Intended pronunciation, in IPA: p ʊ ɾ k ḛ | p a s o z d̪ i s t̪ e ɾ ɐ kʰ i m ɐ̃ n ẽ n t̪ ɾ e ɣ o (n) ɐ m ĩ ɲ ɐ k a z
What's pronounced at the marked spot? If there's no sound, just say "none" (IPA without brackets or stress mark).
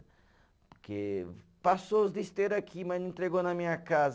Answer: n